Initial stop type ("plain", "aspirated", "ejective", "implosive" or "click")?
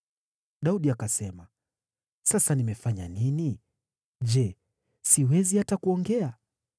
implosive